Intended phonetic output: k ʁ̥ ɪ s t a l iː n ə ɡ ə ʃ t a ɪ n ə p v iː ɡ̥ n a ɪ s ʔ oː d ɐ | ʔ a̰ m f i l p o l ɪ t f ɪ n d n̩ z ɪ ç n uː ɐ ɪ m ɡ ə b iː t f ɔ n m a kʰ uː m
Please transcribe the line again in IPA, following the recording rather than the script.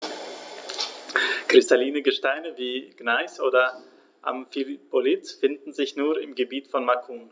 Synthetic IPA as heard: k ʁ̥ ɪ s t a l iː n ə ɡ ə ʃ t a ɪ n ə v iː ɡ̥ n a ɪ s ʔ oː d ɐ | ʔ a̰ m f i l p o l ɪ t f ɪ n d n̩ z ɪ ç n uː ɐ ɪ m ɡ ə b iː t f ɔ n m a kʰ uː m